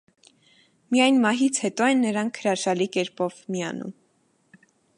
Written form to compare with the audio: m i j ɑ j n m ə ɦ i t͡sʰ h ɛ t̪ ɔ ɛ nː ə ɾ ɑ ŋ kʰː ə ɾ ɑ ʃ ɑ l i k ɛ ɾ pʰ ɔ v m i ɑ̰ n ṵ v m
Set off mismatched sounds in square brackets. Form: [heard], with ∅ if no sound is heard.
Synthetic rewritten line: m i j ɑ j n m [ɑ] ɦ i t͡sʰ h ɛ t̪ ɔ ɛ nː ə ɾ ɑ ŋ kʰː ə ɾ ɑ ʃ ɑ l i k ɛ ɾ [p] ɔ v m i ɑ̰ n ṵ [∅] m